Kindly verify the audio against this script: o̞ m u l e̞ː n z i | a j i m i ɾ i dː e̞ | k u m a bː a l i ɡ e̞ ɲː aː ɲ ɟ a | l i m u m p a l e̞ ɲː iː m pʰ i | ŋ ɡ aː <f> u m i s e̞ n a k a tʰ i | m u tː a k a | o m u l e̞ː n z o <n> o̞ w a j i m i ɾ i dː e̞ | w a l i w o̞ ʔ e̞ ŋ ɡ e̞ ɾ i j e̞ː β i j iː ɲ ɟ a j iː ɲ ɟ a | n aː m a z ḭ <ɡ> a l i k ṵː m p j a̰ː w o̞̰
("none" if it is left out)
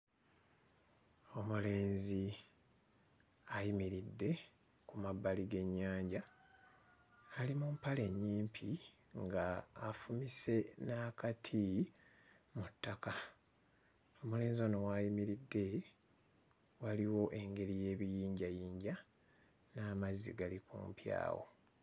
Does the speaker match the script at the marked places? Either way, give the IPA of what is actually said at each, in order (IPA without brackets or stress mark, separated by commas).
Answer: f, n, ɡ